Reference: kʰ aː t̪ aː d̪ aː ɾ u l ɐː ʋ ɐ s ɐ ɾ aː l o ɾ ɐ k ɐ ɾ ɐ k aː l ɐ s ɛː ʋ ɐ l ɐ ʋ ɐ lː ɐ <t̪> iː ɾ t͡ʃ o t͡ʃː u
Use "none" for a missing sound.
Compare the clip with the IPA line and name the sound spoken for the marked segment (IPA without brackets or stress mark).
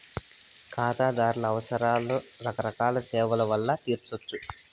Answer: t̪